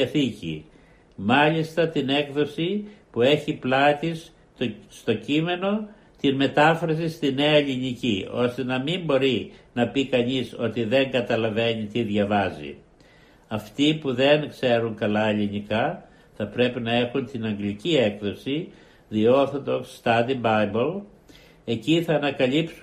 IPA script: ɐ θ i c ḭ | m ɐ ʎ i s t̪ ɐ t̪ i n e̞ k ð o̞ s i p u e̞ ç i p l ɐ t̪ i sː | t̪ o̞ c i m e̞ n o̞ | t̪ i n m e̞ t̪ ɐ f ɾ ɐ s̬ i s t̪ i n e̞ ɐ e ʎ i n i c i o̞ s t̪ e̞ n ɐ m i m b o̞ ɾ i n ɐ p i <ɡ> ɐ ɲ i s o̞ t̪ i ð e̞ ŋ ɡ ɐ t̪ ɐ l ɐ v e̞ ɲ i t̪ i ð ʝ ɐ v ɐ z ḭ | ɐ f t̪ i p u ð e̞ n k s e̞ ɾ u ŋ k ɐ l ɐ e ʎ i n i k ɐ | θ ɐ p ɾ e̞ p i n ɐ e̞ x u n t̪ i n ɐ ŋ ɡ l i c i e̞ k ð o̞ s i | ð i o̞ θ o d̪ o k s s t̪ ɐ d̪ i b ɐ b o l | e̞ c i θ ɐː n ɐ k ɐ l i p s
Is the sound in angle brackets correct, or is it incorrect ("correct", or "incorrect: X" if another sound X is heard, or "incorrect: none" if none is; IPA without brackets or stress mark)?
incorrect: k